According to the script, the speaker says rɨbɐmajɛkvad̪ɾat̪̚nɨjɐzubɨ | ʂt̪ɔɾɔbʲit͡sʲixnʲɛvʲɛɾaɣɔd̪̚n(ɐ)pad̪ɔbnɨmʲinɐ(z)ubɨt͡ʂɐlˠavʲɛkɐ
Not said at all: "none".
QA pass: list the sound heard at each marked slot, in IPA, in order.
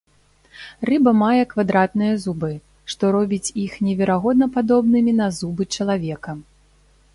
ɐ, z

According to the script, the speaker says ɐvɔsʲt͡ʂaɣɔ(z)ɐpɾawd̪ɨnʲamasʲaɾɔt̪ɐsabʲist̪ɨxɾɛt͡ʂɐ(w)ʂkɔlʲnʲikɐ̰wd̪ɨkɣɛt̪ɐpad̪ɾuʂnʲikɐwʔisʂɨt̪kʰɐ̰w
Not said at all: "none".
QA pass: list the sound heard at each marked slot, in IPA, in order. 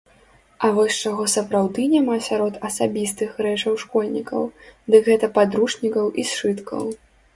s, w

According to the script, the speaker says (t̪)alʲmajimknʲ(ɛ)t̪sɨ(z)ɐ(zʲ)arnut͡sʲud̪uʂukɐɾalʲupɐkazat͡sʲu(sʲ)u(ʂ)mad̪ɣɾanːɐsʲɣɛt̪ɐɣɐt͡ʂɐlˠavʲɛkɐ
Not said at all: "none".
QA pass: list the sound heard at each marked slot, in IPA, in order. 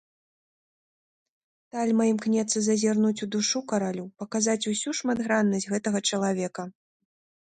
t̪, ɛ, z, zʲ, sʲ, ʂ

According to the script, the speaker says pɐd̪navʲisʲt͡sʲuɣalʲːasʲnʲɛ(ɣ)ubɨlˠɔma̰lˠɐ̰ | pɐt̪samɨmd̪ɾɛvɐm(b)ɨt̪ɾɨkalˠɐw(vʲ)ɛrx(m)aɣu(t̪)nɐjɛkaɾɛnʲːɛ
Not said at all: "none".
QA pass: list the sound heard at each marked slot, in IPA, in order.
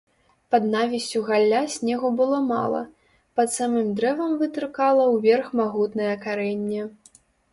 ɣ, v, vʲ, m, t̪

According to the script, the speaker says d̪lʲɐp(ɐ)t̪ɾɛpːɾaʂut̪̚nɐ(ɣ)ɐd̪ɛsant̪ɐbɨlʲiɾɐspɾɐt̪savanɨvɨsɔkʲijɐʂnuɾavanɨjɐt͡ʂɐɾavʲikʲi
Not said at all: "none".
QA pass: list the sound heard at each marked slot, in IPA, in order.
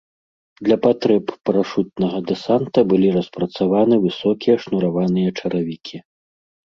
a, ɣ

